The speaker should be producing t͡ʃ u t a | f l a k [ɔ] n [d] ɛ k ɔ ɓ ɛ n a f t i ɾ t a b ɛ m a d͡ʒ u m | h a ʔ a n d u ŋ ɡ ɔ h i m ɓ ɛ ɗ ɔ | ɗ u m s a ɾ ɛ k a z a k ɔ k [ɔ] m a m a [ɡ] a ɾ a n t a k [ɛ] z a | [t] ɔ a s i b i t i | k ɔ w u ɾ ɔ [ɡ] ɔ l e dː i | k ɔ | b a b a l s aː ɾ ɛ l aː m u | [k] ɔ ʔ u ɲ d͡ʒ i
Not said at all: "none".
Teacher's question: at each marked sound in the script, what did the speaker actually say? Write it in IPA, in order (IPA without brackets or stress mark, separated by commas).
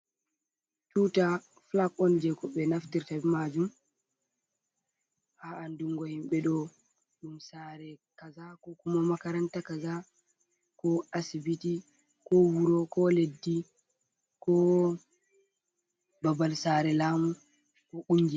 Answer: ɔ, d͡ʒ, u, k, a, k, k, k